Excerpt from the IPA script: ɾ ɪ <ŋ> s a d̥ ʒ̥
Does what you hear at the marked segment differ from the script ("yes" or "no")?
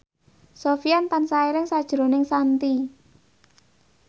no